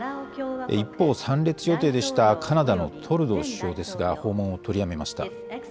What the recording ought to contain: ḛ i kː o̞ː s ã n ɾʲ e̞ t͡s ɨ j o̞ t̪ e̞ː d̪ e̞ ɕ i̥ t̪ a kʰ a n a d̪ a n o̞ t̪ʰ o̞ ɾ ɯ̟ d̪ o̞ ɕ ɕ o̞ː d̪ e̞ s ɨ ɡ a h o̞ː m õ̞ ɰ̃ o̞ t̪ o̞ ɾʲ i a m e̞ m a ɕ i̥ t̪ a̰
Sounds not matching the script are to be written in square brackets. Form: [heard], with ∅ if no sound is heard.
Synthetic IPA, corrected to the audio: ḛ i [pː] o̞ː s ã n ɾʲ e̞ t͡s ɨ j o̞ t̪ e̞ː d̪ e̞ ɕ i̥ t̪ a kʰ a n a d̪ a n o̞ t̪ʰ o̞ ɾ ɯ̟ d̪ o̞ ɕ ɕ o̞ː d̪ e̞ s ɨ ɡ a h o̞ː m õ̞ ɰ̃ o̞ t̪ o̞ ɾʲ i a m e̞ m a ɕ i̥ t̪ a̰